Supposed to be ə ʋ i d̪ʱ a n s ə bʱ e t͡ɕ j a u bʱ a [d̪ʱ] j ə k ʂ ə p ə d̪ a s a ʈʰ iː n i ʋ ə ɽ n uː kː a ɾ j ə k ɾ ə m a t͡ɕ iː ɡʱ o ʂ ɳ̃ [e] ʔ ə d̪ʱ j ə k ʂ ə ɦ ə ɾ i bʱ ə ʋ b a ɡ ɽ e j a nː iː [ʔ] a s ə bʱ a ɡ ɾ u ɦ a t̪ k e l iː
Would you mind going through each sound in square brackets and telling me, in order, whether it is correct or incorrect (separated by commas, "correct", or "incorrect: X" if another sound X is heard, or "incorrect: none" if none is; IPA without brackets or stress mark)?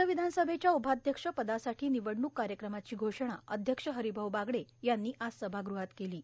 correct, incorrect: a, correct